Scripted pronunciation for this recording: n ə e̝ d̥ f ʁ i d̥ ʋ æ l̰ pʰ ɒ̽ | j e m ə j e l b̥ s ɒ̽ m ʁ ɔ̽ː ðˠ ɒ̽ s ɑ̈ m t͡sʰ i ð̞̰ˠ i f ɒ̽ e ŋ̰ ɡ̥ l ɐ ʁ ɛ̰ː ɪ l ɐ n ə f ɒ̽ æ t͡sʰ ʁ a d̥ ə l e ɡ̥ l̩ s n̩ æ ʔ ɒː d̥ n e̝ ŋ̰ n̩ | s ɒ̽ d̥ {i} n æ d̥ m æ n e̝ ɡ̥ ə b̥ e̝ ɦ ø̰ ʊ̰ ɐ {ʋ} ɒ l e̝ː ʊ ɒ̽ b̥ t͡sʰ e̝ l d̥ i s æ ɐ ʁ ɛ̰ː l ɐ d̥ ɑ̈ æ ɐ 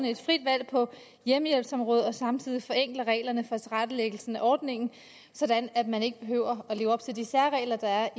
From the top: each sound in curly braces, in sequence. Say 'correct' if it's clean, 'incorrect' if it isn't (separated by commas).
incorrect, incorrect